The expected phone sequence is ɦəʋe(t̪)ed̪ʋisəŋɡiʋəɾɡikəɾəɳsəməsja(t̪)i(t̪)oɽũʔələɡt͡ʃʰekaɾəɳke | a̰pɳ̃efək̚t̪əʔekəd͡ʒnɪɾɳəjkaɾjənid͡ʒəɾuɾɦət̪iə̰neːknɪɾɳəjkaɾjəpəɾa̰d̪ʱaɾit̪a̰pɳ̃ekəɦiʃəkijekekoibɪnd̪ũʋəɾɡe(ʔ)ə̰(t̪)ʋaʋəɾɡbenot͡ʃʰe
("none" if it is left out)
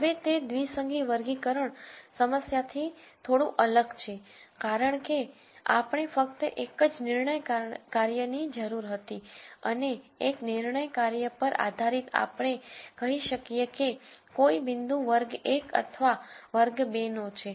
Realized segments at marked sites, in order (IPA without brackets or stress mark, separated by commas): t̪, t̪ʰ, t̪ʰ, k, t̪ʰ